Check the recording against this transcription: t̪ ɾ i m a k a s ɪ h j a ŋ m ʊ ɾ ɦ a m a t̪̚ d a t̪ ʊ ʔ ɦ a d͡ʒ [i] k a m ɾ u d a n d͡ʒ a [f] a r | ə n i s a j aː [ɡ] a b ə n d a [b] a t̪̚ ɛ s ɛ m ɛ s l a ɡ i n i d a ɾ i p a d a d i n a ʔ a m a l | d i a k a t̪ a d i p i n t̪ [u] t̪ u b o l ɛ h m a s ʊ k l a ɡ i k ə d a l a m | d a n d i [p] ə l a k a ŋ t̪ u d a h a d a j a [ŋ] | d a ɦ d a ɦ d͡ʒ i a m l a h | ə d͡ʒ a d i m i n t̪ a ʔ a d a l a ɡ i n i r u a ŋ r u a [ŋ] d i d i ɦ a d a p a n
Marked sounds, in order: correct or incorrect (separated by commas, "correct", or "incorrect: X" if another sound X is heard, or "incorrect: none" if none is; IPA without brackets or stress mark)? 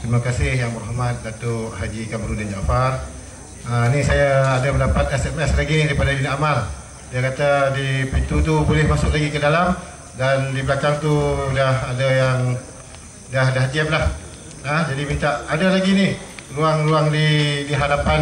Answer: correct, correct, incorrect: d, incorrect: p, correct, incorrect: b, correct, correct